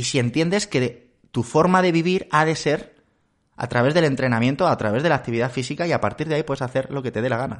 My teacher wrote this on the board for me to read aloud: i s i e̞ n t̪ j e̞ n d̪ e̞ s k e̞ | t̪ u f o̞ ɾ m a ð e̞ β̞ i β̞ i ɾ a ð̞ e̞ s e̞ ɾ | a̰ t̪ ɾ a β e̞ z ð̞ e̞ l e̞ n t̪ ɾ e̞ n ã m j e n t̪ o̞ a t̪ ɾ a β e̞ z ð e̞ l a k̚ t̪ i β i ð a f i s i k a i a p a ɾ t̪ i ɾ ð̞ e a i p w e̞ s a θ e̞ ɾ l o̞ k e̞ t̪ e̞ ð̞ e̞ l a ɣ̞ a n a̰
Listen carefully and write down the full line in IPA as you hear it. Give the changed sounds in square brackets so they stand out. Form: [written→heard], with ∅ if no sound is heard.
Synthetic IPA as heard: i s i e̞ n t̪ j e̞ n d̪ e̞ s k e̞ | t̪ u f o̞ ɾ m a ð e̞ β̞ i β̞ i ɾ a ð̞ e̞ s e̞ ɾ | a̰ t̪ ɾ a β e̞ z ð̞ e̞ l e̞ n t̪ ɾ e̞ n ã m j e n t̪ o̞ a t̪ ɾ a β e̞ z ð e̞ l a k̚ t̪ i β i ð a f i s i k a i a p a ɾ t̪ i ɾ ð̞ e a i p w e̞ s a θ e̞ ɾ l o̞ k e̞ t̪ e̞ ð̞ e̞ l a ɣ̞ a n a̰